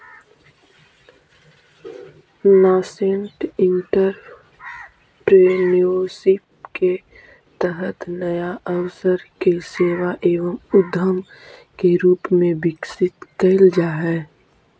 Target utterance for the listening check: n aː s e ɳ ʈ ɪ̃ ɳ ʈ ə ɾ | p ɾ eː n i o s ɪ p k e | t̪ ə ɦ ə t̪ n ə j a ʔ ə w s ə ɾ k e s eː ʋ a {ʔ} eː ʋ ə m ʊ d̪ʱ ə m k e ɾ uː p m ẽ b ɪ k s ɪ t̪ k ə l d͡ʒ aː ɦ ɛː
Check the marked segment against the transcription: correct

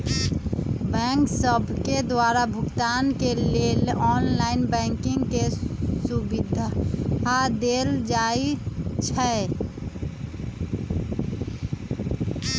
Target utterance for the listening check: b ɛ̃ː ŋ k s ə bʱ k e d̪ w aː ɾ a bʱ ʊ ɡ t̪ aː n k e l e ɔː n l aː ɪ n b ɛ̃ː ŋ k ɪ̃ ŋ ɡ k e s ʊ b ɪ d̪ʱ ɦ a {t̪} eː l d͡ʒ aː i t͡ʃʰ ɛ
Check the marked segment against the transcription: incorrect: d̪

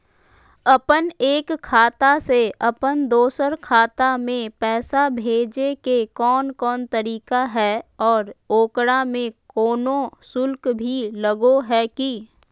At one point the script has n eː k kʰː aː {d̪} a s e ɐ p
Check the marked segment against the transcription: incorrect: t̪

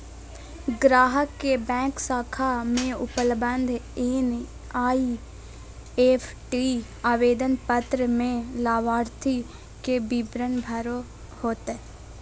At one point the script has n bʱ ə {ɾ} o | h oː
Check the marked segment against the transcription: correct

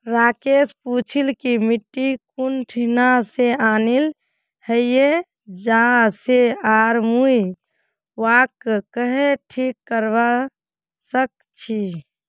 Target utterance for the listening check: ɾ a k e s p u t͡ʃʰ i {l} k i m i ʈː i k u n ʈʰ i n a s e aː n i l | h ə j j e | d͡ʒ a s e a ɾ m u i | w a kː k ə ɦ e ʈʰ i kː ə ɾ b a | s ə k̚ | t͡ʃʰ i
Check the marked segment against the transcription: correct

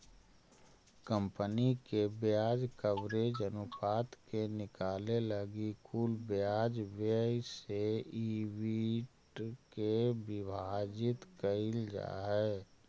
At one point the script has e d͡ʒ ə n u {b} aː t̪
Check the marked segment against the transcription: incorrect: p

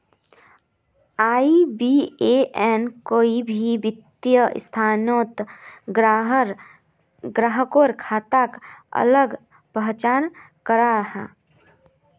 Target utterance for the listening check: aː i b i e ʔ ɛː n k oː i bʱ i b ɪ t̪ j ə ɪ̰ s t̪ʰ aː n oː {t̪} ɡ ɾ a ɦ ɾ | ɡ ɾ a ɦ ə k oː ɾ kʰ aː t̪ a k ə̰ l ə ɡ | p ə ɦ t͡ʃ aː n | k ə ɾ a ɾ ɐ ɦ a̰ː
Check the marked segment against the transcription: correct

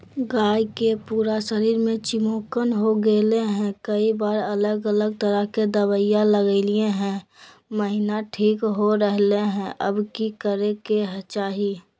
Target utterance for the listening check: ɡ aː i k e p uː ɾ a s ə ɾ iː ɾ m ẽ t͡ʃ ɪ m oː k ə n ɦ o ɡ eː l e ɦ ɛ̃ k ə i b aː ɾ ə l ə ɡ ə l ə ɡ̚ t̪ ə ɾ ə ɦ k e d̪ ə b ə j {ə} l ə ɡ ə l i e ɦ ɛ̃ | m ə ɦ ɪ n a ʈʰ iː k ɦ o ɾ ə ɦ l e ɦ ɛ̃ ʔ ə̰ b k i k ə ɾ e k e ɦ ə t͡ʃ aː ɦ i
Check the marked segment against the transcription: incorrect: a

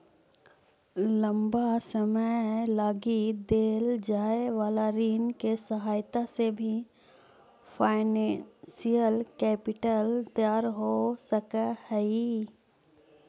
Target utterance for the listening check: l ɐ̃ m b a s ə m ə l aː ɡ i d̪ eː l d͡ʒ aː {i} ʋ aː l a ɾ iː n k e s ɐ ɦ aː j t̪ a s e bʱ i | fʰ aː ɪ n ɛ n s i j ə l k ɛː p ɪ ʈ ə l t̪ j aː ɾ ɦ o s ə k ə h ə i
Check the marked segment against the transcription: incorrect: e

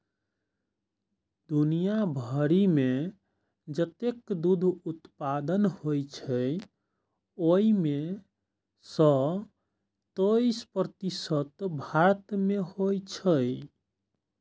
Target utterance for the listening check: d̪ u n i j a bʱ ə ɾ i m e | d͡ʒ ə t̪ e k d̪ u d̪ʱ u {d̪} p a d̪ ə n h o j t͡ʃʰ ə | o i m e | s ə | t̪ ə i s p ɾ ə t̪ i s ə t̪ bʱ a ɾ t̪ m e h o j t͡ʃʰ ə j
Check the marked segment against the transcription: incorrect: t̪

